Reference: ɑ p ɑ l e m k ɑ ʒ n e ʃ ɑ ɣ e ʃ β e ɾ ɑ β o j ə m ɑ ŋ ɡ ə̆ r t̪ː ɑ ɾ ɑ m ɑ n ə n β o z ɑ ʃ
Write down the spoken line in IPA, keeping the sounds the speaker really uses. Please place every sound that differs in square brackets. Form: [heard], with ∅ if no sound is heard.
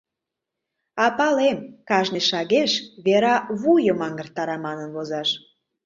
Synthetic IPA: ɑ p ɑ l e m k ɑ ʒ n e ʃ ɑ ɣ e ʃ β e ɾ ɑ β [u] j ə m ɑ ŋ ɡ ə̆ r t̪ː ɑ ɾ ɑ m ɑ n ə n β o z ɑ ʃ